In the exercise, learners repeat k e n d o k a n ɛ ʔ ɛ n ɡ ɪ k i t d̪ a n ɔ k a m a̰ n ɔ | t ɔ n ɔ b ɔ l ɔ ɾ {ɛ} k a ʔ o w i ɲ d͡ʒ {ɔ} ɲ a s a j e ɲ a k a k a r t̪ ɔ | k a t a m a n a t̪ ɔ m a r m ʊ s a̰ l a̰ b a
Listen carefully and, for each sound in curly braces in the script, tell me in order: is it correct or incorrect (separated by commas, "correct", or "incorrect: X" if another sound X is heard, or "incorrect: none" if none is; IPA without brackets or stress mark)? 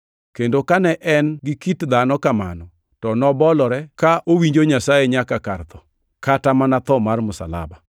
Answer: correct, incorrect: o